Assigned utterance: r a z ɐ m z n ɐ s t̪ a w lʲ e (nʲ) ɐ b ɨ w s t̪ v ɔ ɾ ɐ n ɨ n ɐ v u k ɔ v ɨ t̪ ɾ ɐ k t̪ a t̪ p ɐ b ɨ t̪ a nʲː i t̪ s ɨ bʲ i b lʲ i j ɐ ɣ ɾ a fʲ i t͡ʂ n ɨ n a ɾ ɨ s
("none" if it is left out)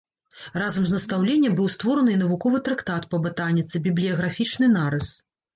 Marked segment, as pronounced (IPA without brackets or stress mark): nʲː